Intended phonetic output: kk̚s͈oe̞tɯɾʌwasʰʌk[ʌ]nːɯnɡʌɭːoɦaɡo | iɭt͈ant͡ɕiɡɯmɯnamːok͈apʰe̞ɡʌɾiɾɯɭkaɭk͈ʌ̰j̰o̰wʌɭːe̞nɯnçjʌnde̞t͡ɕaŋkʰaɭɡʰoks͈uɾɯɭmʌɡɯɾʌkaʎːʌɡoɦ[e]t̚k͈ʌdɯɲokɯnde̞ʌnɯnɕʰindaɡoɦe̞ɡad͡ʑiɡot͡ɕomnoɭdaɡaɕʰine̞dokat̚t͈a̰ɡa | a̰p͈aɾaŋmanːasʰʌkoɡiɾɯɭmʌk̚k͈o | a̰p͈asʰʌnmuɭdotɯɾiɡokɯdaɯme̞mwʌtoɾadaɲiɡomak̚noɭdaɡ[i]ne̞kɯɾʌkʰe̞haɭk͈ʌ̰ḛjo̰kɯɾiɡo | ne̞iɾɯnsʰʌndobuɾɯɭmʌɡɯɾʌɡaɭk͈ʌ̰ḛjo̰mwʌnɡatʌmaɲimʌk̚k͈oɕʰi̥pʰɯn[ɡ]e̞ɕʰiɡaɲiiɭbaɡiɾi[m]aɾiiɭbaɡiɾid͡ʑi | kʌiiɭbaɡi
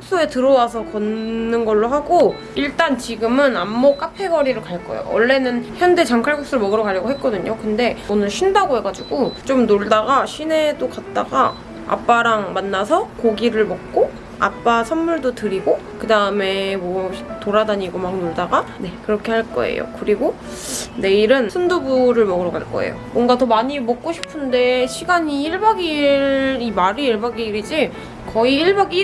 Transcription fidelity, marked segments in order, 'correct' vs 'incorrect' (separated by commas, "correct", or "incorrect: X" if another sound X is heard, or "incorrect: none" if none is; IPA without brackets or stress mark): correct, correct, incorrect: a, incorrect: d, correct